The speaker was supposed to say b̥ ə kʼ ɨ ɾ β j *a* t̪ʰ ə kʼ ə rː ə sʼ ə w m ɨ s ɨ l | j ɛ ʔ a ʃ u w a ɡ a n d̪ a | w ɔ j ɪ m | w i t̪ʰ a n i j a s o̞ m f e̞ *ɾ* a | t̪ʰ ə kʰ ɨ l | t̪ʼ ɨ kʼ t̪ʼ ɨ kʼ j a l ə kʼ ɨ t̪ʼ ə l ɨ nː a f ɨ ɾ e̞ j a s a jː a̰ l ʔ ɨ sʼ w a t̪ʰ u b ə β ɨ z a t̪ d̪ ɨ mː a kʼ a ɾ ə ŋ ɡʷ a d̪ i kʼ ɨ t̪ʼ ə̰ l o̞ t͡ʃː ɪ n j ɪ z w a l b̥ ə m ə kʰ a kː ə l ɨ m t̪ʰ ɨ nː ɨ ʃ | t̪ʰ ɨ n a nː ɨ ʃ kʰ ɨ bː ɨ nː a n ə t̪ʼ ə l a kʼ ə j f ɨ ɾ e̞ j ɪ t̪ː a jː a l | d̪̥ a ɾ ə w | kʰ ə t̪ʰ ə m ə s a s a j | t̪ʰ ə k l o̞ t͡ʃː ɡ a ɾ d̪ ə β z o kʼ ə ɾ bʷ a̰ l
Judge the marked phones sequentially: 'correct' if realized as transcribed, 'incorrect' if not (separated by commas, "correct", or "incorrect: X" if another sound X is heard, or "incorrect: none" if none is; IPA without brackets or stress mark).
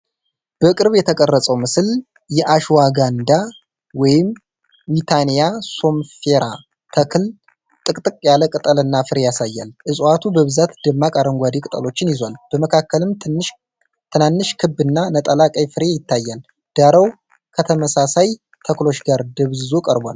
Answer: incorrect: ɛ, correct